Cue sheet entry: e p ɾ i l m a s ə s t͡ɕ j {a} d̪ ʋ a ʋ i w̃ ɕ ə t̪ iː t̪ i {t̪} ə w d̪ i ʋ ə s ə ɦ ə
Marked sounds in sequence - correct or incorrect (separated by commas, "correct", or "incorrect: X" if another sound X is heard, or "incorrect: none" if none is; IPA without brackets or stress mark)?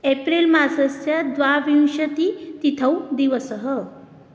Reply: correct, incorrect: t̪ʰ